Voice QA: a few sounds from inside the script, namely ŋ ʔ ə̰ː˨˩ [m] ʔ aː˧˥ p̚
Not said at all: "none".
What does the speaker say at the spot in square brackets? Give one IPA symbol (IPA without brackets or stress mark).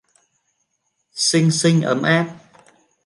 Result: m